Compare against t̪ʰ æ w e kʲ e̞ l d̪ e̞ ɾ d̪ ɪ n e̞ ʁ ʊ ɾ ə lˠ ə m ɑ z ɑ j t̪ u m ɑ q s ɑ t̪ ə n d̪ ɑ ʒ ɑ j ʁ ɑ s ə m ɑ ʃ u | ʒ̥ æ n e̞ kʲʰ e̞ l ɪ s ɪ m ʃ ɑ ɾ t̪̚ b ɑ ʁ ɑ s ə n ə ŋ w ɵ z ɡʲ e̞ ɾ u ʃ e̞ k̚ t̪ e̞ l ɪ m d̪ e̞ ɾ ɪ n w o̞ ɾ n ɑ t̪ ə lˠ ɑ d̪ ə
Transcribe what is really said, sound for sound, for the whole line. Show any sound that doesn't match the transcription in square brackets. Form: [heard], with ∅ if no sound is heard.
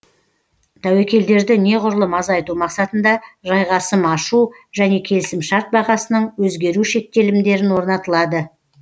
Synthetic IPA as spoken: t̪ʰ æ w e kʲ e̞ l d̪ e̞ ɾ d̪ ɪ n e̞ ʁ ʊ ɾ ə lˠ ə m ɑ z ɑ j t̪ u m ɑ q s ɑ t̪ ə n d̪ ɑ ʒ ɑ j ʁ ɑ s ə m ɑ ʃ u | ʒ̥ æ n e̞ kʲʰ e̞ l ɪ s ɪ m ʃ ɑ ɾ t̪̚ b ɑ ʁ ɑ s ə n ə [ɴ] w ɵ z ɡʲ e̞ ɾ u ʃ e̞ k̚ t̪ e̞ l ɪ m d̪ e̞ ɾ ɪ n w o̞ ɾ n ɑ t̪ ə lˠ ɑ d̪ ə